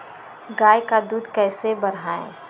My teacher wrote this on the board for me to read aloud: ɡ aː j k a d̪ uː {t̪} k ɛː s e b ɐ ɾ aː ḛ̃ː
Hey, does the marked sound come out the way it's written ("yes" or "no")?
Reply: no